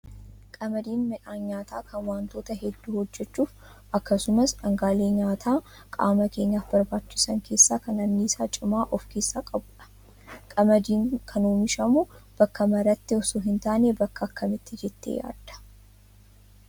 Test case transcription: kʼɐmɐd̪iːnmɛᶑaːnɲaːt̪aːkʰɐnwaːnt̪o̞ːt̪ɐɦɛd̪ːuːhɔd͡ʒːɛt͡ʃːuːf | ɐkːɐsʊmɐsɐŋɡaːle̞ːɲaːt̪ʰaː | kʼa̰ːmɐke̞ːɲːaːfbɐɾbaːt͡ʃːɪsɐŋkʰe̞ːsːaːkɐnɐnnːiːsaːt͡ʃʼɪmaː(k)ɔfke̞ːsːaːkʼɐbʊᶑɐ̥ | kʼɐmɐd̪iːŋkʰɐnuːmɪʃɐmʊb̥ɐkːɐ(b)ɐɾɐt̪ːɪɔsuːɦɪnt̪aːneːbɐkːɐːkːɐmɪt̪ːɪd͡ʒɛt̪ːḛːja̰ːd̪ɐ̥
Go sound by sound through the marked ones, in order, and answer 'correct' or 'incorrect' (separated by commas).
incorrect, incorrect